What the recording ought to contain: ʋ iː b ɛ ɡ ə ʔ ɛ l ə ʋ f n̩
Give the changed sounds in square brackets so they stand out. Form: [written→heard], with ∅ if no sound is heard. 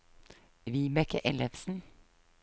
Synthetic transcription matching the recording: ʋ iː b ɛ [ɡ→k] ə ʔ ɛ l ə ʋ [f→s] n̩